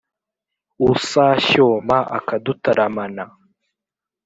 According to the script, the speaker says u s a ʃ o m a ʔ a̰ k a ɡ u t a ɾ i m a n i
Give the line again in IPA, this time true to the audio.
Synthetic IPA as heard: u s a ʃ o m a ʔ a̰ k a d u t a ɾ a m a n a